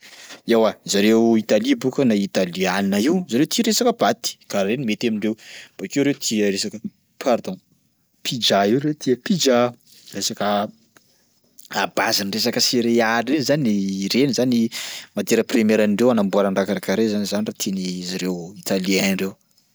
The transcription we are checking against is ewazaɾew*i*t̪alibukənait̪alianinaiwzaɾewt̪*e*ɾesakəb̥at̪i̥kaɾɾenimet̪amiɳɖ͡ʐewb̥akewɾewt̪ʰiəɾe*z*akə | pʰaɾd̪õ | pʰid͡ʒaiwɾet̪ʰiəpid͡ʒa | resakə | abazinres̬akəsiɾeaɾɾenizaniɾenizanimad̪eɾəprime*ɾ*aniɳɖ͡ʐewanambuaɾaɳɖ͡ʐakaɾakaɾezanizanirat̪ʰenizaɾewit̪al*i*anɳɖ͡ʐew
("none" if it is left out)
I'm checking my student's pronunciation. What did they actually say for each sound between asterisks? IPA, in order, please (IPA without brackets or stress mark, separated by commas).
i, i, s, ɾ, i